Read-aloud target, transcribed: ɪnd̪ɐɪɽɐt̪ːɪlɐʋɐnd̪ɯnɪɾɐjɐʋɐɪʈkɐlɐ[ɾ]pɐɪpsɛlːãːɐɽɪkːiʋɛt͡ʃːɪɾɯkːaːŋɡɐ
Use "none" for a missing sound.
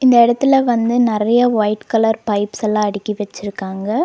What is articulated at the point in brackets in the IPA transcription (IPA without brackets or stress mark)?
ɾ